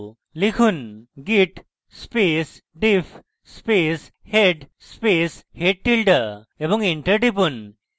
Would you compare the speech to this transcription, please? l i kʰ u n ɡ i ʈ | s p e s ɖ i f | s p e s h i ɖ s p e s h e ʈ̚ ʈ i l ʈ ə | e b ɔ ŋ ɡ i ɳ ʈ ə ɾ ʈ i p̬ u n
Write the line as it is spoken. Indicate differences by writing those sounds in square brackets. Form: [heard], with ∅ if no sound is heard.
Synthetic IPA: l i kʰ u n ɡ i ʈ | s p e s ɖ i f | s p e s h [e] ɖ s p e s h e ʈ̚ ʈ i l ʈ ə | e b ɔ ŋ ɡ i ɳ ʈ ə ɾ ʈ i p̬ u n